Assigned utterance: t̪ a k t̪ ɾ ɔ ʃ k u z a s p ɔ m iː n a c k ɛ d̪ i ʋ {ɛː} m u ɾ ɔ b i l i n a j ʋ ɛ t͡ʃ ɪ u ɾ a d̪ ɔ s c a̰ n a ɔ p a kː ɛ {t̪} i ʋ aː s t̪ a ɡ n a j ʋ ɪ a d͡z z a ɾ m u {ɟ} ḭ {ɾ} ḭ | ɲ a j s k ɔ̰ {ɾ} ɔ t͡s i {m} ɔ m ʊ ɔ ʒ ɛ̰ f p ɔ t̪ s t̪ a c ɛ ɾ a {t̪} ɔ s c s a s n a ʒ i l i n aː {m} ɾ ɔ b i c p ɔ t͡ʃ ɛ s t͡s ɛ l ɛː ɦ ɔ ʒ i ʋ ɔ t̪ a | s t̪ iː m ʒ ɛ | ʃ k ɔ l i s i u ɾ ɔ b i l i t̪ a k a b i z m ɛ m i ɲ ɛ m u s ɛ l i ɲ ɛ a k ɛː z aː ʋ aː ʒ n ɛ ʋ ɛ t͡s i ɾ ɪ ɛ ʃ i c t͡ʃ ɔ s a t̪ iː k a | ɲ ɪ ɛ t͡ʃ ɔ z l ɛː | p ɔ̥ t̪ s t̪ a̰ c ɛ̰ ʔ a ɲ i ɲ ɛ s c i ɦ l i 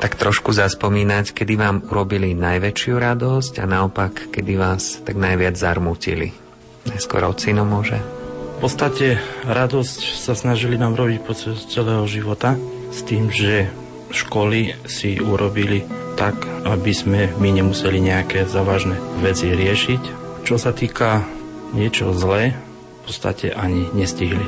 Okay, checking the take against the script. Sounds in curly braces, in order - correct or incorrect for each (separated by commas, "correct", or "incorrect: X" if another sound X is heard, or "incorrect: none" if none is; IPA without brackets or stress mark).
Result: incorrect: aː, incorrect: d̪, incorrect: c, incorrect: l, correct, incorrect: n, incorrect: d̪, correct